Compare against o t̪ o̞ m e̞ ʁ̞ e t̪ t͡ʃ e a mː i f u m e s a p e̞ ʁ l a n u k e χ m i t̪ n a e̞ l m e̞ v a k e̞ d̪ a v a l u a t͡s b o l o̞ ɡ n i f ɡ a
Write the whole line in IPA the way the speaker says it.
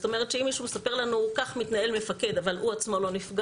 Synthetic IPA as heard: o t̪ o̞ m e̞ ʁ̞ e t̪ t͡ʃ e i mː i ʃ u m e s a p e̞ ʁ l a n u k a χ m i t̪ n a e̞ l m e̞ f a k e̞ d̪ a v a l u a t͡s m o l o̞ n i f ɡ a